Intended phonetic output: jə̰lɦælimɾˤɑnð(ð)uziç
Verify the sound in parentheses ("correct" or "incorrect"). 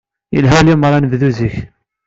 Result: correct